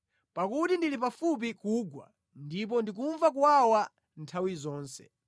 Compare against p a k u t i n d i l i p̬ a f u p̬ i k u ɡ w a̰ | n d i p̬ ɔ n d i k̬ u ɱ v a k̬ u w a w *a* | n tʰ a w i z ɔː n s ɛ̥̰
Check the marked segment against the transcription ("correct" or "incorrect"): correct